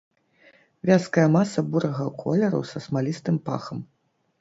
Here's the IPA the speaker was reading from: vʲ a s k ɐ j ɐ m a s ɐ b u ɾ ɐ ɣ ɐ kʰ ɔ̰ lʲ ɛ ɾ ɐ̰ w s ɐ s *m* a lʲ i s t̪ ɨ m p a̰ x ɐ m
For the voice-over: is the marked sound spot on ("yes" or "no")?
yes